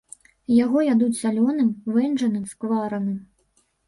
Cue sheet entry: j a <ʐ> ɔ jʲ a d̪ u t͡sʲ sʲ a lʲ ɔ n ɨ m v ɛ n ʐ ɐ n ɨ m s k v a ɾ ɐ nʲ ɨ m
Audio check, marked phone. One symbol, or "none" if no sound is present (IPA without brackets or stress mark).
ɣ